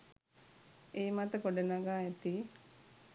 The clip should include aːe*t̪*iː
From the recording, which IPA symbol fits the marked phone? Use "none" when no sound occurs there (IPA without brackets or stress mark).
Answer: t̪